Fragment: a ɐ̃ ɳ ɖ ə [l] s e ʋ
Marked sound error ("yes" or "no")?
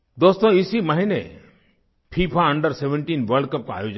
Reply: yes